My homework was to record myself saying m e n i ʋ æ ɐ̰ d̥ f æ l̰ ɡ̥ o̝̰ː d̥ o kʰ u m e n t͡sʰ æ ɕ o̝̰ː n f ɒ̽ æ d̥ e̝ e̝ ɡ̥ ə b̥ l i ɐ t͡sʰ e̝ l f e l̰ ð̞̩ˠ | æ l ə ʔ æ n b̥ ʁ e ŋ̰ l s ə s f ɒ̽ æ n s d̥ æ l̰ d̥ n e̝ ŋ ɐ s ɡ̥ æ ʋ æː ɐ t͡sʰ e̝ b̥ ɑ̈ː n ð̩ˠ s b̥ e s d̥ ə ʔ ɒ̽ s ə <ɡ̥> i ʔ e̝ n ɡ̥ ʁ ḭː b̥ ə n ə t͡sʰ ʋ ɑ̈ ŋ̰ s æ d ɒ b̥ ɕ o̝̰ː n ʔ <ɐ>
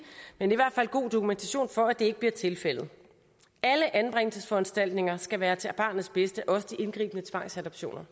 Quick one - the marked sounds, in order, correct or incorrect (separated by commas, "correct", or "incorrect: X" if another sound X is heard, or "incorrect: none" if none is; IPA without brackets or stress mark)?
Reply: incorrect: d̥, correct